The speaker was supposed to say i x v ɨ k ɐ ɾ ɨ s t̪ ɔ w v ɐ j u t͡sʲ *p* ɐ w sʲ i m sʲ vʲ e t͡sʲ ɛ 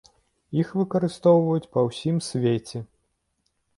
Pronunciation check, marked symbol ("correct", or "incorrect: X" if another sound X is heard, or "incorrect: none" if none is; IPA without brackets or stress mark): correct